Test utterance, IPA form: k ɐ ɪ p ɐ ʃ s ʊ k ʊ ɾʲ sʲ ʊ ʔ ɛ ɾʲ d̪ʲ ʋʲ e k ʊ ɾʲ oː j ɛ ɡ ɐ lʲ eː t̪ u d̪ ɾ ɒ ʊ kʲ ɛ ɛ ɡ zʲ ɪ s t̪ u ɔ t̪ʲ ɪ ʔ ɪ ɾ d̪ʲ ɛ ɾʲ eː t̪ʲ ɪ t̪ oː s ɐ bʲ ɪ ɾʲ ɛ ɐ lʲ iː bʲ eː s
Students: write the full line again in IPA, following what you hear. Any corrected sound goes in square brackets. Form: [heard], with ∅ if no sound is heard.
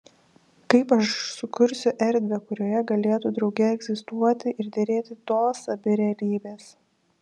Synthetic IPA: k ɐ ɪ p ɐ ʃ s ʊ k ʊ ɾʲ sʲ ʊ ʔ ɛ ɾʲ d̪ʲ ʋʲ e k ʊ ɾʲ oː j ɛ ɡ ɐ lʲ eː t̪ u d̪ ɾ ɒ ʊ [ɡʲ] ɛ ɛ ɡ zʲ ɪ s t̪ u ɔ t̪ʲ ɪ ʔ ɪ ɾ d̪ʲ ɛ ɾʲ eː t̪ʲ ɪ t̪ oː s ɐ bʲ ɪ ɾʲ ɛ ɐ lʲ iː bʲ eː s

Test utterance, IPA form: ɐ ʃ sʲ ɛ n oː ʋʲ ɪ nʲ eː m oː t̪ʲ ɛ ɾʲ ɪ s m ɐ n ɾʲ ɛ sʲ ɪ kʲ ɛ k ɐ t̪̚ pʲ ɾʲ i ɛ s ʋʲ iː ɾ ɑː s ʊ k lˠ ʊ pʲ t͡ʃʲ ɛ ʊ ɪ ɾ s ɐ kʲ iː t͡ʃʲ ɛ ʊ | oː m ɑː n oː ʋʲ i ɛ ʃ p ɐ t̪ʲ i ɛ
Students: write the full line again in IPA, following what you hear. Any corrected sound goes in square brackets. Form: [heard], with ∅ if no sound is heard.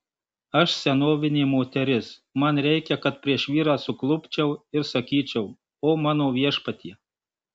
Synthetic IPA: ɐ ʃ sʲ ɛ n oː ʋʲ ɪ nʲ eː m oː t̪ʲ ɛ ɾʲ ɪ s m ɐ n ɾʲ ɛ [∅] ɪ kʲ ɛ k ɐ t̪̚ pʲ ɾʲ i ɛ [ʃ] ʋʲ iː ɾ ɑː s ʊ k lˠ ʊ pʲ t͡ʃʲ ɛ ʊ ɪ ɾ s ɐ kʲ iː t͡ʃʲ ɛ ʊ | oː m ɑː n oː ʋʲ i ɛ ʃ p ɐ t̪ʲ i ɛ

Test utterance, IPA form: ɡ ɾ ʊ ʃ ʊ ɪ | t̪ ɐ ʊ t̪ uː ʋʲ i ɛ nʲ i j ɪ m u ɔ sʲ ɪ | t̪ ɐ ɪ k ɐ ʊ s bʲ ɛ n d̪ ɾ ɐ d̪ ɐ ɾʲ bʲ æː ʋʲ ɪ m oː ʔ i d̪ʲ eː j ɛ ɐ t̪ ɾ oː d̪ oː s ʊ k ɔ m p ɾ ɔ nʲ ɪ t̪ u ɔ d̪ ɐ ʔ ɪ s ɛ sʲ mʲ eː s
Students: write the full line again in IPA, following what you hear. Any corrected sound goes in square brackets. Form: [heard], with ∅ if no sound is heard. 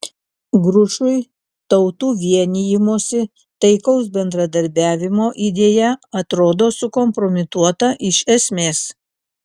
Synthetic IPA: ɡ ɾ ʊ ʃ ʊ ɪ | t̪ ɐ ʊ t̪ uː ʋʲ i ɛ nʲ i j ɪ m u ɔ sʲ ɪ | t̪ ɐ ɪ k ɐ ʊ s bʲ ɛ n d̪ ɾ ɐ d̪ ɐ ɾʲ bʲ æː ʋʲ ɪ m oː ʔ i d̪ʲ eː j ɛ ɐ t̪ ɾ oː d̪ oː s ʊ k ɔ m p ɾ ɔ [mʲ] ɪ t̪ u ɔ [t̪] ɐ ʔ ɪ [ʃ] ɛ sʲ mʲ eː s

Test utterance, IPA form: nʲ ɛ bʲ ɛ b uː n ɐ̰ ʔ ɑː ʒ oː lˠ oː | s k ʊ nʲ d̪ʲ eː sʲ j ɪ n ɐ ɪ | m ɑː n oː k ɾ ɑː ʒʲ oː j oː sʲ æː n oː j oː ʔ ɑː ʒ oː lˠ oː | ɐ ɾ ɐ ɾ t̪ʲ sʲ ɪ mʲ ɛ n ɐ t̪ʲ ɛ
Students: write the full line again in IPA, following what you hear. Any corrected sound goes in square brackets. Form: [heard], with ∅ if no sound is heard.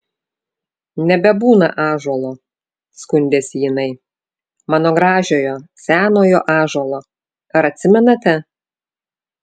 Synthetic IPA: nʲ ɛ bʲ ɛ b uː n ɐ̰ ʔ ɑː ʒ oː lˠ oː | s k ʊ nʲ d̪ʲ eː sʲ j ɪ n ɐ ɪ | m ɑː n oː [ɡ] ɾ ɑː ʒʲ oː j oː sʲ æː n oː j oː ʔ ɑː ʒ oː lˠ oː | ɐ ɾ ɐ [∅] t̪ʲ sʲ ɪ mʲ ɛ n ɐ t̪ʲ ɛ

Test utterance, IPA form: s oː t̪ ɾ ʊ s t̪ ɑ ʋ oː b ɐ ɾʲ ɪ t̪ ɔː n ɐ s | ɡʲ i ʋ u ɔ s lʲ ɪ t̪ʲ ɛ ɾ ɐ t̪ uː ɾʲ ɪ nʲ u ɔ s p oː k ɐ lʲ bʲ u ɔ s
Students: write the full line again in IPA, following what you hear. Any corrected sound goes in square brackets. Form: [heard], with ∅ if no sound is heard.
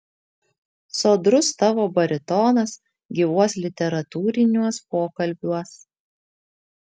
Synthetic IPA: s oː [d̪] ɾ ʊ s t̪ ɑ ʋ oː b ɐ ɾʲ ɪ t̪ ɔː n ɐ s | ɡʲ i ʋ u ɔ s lʲ ɪ t̪ʲ ɛ ɾ ɐ t̪ uː ɾʲ ɪ nʲ u ɔ s p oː k ɐ lʲ bʲ u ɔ s

